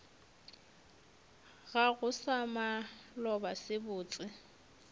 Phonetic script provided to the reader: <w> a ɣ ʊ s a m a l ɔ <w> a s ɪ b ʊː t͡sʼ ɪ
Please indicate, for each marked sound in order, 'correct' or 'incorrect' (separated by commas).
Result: incorrect, incorrect